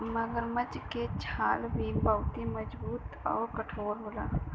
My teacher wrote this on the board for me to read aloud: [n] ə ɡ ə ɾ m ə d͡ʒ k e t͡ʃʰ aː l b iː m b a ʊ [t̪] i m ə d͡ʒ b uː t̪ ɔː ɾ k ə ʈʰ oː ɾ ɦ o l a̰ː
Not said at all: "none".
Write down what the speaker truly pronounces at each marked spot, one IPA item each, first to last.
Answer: m, t̪

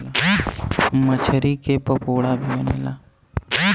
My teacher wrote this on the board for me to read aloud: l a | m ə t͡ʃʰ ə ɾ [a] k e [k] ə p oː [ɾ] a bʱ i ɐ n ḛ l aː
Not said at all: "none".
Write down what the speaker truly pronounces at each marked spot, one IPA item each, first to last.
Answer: i, p, ɽ

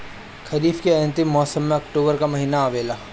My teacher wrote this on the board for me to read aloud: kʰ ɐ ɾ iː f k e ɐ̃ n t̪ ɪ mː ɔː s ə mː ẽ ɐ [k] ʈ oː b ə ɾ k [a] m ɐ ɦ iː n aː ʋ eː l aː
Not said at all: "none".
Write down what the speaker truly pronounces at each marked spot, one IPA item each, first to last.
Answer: k, a

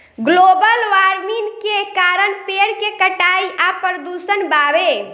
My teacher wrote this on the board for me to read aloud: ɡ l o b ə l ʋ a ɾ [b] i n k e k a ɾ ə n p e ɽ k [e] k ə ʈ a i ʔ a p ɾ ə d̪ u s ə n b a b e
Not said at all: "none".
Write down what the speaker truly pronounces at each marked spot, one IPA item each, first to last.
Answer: m, e

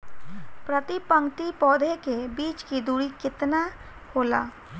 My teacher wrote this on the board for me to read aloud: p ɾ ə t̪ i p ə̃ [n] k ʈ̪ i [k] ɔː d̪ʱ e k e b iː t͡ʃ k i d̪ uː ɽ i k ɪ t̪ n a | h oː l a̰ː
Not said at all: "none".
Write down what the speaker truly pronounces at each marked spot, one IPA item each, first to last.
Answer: ŋ, p

